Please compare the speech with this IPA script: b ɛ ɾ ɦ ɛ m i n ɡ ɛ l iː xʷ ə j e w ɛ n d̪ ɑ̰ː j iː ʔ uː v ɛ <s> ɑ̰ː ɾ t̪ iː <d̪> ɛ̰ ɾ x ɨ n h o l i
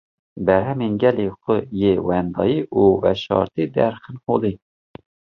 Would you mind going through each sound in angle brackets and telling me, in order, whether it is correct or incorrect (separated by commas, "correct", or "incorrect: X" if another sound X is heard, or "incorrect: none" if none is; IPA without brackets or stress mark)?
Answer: incorrect: ʃ, correct